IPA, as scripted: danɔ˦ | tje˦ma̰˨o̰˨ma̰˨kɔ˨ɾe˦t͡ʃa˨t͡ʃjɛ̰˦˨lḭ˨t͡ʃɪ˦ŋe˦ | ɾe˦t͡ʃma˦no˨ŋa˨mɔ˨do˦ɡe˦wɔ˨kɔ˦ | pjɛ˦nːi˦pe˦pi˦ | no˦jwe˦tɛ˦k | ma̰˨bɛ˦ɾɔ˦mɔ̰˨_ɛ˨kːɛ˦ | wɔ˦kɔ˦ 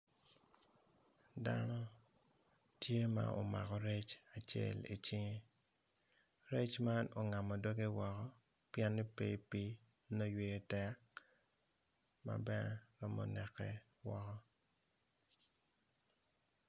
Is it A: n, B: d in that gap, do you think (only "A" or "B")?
A